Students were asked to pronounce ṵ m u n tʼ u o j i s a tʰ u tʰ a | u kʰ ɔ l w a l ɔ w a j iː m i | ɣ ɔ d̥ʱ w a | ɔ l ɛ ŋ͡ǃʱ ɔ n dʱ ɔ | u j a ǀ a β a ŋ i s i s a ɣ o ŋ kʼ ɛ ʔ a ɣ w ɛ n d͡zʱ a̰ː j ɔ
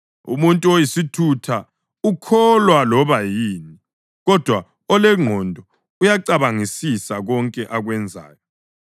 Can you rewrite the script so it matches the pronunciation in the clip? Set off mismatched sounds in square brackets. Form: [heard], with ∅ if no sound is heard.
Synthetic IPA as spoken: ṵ m u n tʼ u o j i s [i] tʰ u tʰ a | u kʰ ɔ l w a l ɔ [β] a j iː [n] i | ɣ ɔ d̥ʱ w a | ɔ l ɛ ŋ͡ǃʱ ɔ n dʱ ɔ | u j a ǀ a β a ŋ i s i s a ɣ [ɔ] ŋ kʼ ɛ ʔ a ɣ w ɛ n d͡zʱ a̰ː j ɔ

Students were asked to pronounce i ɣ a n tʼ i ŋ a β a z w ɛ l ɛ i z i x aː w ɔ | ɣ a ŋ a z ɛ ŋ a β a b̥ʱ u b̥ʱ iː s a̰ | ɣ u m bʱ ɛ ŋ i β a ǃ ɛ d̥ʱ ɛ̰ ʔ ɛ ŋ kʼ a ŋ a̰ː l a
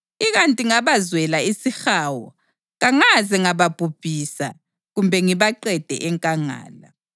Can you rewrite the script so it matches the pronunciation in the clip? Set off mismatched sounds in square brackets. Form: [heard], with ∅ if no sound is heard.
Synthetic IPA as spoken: i ɣ a n tʼ i ŋ a β a z w ɛ l [a] i [s] i x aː w ɔ | ɣ a ŋ a z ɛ ŋ a β a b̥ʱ u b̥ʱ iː s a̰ | ɣ u m bʱ ɛ ŋ i β a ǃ ɛ d̥ʱ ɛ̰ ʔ ɛ ŋ kʼ a ŋ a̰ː l a

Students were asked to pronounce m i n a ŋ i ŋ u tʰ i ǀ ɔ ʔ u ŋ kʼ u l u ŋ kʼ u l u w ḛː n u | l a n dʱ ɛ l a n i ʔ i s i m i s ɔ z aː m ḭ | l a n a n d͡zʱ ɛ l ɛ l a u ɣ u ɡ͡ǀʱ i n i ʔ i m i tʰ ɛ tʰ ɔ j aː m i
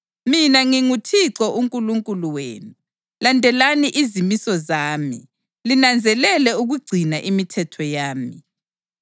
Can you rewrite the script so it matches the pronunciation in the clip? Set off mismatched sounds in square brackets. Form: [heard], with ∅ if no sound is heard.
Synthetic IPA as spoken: m i n a ŋ i ŋ u tʰ i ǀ ɔ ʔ u ŋ kʼ u l u ŋ kʼ u l u w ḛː n u | l a n dʱ ɛ l a n i ʔ i [z] i m i s ɔ z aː m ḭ | l [i] n a n d͡zʱ ɛ l ɛ l [ɛ] u ɣ u ɡ͡ǀʱ i n [a] ʔ i m i tʰ ɛ tʰ ɔ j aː m i

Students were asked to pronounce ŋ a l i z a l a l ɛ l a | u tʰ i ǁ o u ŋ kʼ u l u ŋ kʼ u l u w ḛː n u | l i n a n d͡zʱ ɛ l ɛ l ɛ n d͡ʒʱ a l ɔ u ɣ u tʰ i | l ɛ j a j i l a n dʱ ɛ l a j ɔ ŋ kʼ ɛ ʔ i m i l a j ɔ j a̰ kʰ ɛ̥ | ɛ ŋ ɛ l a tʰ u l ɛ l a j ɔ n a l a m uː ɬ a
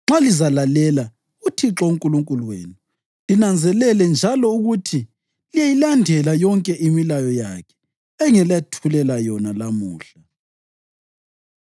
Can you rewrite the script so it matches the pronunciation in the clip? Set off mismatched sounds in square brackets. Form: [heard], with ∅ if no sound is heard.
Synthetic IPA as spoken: [ŋ͡ǁ] a l i z a l a l ɛ l a | u tʰ i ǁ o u ŋ kʼ u l u ŋ kʼ u l u w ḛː n u | l i n a n d͡zʱ ɛ l ɛ l ɛ n d͡ʒʱ a l ɔ u ɣ u tʰ i | l [i] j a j i l a n dʱ ɛ l a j ɔ ŋ kʼ ɛ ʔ i m i l a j ɔ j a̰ kʰ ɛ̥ | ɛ ŋ ɛ l a tʰ u l ɛ l a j ɔ n a l a m uː ɬ a

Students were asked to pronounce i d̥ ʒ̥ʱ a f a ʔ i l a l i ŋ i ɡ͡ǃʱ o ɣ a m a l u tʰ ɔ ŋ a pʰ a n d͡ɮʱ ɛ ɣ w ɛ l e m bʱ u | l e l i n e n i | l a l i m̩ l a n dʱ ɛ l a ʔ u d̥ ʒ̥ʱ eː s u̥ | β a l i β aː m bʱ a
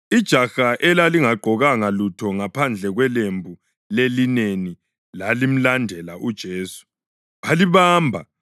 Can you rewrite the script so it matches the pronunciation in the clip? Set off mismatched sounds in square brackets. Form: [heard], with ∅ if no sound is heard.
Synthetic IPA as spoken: i d̥ ʒ̥ʱ a [x] a ʔ [ɛ] l a l i ŋ [a] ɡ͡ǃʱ [ɔ] ɣ a [ŋ] a l u tʰ ɔ ŋ a pʰ a n d͡ɮʱ ɛ ɣ w ɛ l e m bʱ u | l e l i n e n i | l a l i m̩ l a n dʱ ɛ l a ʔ u d̥ ʒ̥ʱ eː s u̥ | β a l i β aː m bʱ a

